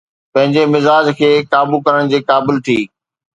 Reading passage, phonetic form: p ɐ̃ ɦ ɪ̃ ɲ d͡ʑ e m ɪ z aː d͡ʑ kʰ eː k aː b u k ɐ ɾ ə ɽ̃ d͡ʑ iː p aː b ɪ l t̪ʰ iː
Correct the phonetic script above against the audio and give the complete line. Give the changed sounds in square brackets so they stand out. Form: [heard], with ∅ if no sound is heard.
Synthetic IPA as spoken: p ɐ̃ ɦ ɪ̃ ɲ d͡ʑ e m ɪ z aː d͡ʑ kʰ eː k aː b u k ɐ ɾ ə ɽ̃ d͡ʑ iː [k] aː b ɪ l t̪ʰ iː